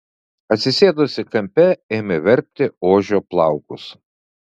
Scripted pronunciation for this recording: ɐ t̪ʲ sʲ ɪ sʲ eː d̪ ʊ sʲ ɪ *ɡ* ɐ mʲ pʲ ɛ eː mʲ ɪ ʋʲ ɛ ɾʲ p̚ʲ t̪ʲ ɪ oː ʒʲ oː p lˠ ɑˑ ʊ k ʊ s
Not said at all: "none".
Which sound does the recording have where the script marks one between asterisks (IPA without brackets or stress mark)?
k